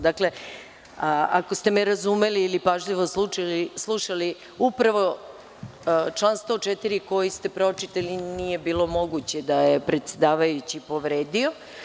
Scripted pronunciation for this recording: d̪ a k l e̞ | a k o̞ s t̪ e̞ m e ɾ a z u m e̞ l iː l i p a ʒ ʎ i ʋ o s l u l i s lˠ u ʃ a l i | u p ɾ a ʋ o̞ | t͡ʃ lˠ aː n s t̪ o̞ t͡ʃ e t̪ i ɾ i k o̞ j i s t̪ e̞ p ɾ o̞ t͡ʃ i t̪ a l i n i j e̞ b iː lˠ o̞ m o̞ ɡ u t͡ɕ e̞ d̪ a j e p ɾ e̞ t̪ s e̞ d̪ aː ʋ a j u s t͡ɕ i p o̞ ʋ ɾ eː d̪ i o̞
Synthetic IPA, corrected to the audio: d̪ a k l e̞ | a k o̞ s t̪ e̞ m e ɾ a z u m e̞ l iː l i p a ʒ ʎ i ʋ o s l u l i s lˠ u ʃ a l i | u p ɾ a ʋ o̞ | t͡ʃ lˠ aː n s t̪ o̞ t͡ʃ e t̪ i ɾ i k o̞ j i s t̪ e̞ p ɾ o̞ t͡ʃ i t̪ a l i n i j e̞ b iː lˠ o̞ m o̞ ɡ u t͡ɕ e̞ d̪ a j e p ɾ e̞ t̪ s e̞ d̪ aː ʋ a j u t͡ɕ i p o̞ ʋ ɾ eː d̪ i o̞